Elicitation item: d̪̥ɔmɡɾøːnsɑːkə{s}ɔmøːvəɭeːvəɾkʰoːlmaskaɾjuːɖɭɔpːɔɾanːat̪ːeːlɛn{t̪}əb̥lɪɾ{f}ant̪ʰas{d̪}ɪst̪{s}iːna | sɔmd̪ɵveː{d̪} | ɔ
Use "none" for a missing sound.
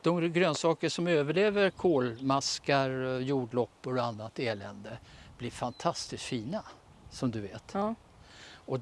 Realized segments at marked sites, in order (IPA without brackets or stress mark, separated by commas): ʂ, d̪, f, t̪, f, t̪